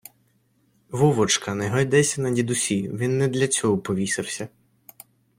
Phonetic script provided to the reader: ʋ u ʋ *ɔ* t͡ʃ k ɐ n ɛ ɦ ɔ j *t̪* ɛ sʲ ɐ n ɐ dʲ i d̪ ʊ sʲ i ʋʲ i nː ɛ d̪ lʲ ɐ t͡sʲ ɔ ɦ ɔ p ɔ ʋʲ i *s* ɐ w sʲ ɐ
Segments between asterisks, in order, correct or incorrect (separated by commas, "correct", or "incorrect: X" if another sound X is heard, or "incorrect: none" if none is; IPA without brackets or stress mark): correct, incorrect: d̪, correct